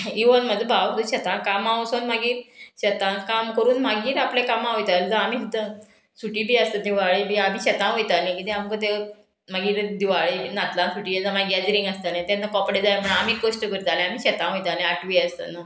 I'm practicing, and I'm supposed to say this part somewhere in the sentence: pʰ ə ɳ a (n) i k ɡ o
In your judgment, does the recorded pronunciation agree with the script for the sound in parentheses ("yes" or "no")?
no